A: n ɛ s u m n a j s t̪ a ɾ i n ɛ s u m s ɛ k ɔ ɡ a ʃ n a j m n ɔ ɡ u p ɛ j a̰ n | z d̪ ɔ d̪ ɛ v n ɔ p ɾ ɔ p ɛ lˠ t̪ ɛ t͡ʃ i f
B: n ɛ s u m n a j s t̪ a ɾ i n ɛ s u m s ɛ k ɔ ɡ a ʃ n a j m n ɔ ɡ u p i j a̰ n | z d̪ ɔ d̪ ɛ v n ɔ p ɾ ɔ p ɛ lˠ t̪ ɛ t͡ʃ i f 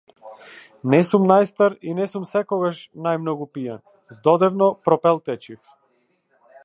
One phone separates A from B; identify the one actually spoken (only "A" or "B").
B